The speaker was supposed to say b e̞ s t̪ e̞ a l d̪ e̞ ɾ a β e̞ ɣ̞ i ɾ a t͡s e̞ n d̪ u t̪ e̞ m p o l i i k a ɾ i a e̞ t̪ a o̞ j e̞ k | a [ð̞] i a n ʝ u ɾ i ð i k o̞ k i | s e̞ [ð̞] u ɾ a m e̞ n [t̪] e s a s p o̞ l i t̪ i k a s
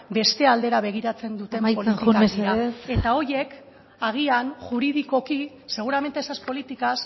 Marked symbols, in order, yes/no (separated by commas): no, no, yes